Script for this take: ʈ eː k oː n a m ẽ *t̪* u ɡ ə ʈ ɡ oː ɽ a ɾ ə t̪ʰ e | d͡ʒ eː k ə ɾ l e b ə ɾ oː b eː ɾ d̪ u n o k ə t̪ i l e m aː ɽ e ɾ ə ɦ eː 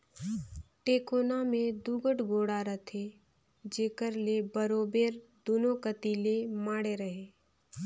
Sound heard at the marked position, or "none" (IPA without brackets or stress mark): d̪